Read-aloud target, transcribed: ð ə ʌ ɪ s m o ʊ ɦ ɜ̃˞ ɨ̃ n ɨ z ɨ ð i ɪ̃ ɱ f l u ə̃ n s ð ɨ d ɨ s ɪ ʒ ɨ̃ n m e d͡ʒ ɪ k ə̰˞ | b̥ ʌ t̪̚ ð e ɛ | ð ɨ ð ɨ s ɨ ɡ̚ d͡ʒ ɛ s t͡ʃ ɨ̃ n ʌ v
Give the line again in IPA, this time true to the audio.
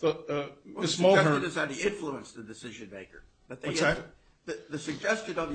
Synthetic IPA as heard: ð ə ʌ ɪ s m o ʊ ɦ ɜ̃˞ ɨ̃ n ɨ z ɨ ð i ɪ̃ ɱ f l u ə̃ n s ð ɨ d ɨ s ɪ ʒ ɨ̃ n m e ɪ k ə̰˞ | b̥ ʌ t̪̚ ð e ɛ | ð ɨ ð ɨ s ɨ ɡ̚ d͡ʒ ɛ s t͡ʃ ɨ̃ n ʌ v

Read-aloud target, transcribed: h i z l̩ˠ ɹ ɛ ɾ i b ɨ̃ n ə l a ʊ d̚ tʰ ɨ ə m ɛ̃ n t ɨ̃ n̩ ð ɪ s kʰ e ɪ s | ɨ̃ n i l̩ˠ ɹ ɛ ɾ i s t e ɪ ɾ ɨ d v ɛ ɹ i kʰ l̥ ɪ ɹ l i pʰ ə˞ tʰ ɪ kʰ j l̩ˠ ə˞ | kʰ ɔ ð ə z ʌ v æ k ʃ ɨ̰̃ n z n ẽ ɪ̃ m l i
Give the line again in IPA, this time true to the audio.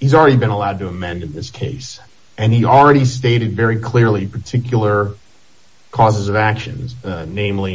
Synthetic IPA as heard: h i z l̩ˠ ɹ ɛ ɾ i b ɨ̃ n ə l a ʊ d̚ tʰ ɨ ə m ɛ̃ n d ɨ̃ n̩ ð ɪ s kʰ e ɪ s | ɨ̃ n i l̩ˠ ɹ ɛ ɾ i s t e ɪ ɾ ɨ d v ɛ ɹ i kʰ l̥ ɪ ɹ l i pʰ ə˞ tʰ ɪ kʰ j l̩ˠ ə˞ | kʰ ɔ z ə z ʌ v æ k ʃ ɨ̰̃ n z n ẽ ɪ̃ m l i

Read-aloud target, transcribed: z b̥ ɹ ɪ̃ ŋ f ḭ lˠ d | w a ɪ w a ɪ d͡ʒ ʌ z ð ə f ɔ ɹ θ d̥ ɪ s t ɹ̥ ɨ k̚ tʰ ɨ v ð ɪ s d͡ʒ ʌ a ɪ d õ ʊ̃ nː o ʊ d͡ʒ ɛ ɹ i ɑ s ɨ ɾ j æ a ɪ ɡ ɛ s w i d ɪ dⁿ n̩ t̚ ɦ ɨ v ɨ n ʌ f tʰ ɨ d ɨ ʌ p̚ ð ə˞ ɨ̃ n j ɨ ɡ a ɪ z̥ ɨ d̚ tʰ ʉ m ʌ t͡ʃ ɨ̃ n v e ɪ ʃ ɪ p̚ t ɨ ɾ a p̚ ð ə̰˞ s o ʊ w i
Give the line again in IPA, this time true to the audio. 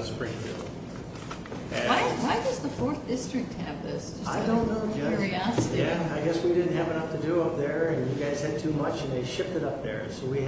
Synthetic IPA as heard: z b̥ ɹ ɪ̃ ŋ f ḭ lˠ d | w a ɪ w a ɪ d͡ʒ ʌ z ð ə f ɔ ɹ θ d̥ ɪ s t ɹ̥ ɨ k̚ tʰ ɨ v ð ɪ s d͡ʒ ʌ a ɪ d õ ʊ̃ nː o ʊ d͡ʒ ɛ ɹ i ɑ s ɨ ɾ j æ a ɪ ɡ ɛ s w i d ɪ dⁿ n̩ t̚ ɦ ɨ v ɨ n ʌ f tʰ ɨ d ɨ ʌ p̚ ð ə˞ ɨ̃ n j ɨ ɡ a ɪ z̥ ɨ d̚ tʰ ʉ m ʌ t͡ʃ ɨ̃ n ð e ɪ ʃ ɪ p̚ t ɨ ɾ ʌ p̚ ð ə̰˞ s o ʊ w i

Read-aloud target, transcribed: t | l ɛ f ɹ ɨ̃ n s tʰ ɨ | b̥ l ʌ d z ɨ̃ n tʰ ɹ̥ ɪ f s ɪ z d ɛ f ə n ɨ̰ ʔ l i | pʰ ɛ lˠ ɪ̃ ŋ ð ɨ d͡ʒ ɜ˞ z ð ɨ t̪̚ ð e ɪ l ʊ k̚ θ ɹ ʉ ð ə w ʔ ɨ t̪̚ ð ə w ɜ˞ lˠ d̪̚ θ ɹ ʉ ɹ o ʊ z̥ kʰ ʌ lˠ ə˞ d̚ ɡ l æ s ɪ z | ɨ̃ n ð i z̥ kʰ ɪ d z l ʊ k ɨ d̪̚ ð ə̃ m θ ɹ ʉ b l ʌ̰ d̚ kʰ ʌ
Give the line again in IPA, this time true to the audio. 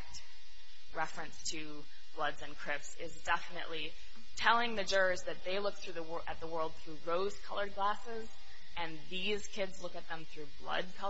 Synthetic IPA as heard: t | ɹ ɛ f ɹ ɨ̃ n s tʰ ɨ | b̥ l ʌ d z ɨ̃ n kʰ ɹ̥ ɪ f s ɪ z d ɛ f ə n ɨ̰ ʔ l i | tʰ ɛ lˠ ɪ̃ ŋ ð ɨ d͡ʒ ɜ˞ z ð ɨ t̪̚ ð e ɪ l ʊ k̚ θ ɹ ʉ ð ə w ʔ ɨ t̪̚ ð ə w ɜ˞ lˠ d̪̚ θ ɹ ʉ ɹ o ʊ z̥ kʰ ʌ lˠ ə˞ d̚ ɡ l æ s ɪ z | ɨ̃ n ð i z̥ kʰ ɪ d z l ʊ k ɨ t̪̚ ð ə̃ m θ ɹ ʉ b l ʌ̰ d̚ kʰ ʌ

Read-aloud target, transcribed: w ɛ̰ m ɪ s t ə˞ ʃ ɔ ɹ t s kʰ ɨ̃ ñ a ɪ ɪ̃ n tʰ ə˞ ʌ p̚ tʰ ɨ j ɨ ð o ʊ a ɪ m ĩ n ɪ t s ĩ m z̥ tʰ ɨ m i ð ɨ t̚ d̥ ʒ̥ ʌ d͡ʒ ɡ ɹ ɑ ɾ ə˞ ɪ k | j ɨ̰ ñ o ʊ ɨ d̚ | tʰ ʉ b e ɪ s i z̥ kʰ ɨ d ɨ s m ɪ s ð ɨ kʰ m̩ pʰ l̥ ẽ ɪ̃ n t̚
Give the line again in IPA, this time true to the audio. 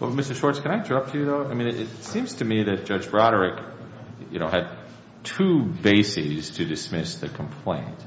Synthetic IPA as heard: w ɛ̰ m ɪ s t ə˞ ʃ ɔ ɹ t s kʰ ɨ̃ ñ a ɪ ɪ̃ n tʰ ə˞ ʌ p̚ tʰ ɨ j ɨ ð o ʊ a ɪ m ĩ n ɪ t s ĩ m z̥ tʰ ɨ m i ð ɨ t̚ d̥ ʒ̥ ʌ d͡ʒ b ɹ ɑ ɾ ə˞ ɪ k | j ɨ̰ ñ o ʊ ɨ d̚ | tʰ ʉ b e ɪ s i z̥ tʰ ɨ d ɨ s m ɪ s ð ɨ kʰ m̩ pʰ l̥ ẽ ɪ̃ n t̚

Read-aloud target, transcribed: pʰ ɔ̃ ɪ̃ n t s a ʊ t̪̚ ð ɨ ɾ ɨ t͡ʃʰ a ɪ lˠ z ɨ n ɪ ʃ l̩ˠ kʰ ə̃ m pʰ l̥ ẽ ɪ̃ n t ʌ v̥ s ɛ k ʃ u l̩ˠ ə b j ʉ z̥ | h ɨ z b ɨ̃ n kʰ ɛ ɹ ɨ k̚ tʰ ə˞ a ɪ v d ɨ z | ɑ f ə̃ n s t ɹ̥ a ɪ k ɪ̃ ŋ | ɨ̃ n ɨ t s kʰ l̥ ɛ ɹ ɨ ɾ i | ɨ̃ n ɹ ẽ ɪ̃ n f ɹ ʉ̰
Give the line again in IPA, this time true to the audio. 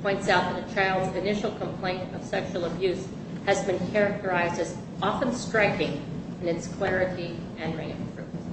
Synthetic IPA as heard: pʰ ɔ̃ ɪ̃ n t s a ʊ t̪̚ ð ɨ ɾ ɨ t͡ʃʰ a ɪ lˠ z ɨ n ɪ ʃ l̩ˠ kʰ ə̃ m pʰ l̥ ẽ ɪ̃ n t ʌ v̥ s ɛ k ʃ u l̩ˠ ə b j ʉ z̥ | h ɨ z b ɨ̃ n kʰ ɛ ɹ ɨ k̚ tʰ ə˞ a ɪ z d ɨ z | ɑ f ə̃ n s t ɹ̥ a ɪ k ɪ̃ ŋ | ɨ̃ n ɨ t s kʰ l̥ ɛ ɹ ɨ ɾ i | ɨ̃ n ɹ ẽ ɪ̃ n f ɹ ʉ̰

